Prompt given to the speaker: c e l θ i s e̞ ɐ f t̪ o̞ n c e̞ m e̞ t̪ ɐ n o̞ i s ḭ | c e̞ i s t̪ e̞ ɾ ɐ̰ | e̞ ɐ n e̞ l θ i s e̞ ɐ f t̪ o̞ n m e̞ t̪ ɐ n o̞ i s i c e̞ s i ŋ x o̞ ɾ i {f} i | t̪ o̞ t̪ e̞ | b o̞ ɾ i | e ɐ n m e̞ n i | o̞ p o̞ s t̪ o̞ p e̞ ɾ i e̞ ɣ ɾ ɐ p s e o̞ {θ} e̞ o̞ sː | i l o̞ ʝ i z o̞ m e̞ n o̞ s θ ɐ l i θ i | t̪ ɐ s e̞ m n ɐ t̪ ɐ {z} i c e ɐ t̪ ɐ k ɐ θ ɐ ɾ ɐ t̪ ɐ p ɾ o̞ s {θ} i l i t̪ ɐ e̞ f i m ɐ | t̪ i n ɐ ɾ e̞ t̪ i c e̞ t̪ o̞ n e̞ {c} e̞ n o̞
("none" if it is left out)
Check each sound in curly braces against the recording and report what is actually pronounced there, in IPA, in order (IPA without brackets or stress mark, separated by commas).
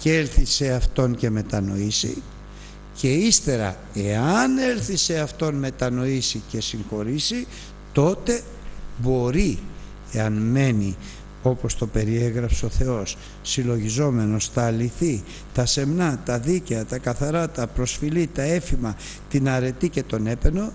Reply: s, θ, ð, f, p